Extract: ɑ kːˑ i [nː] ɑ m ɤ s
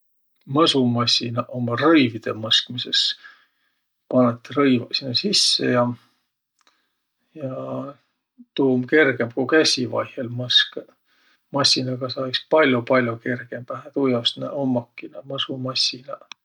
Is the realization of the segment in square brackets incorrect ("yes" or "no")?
yes